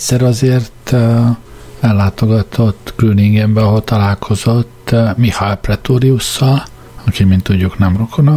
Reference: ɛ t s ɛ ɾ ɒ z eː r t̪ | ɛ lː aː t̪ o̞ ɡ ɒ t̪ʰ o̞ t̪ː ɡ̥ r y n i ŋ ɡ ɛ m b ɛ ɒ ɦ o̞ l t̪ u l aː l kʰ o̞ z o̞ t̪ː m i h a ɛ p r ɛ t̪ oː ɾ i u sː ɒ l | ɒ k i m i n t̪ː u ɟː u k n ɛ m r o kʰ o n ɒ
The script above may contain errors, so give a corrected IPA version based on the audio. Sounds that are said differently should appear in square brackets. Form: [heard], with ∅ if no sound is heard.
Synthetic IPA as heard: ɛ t s ɛ ɾ ɒ z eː r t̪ | ɛ lː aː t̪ o̞ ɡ ɒ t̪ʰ o̞ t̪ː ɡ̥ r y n i ŋ ɡ ɛ m b ɛ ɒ ɦ o̞ l t̪ [ɒ] l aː l kʰ o̞ z o̞ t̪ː m i h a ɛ p r ɛ t̪ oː ɾ i u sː ɒ l | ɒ k i m i n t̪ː u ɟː u k n ɛ m r o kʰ o n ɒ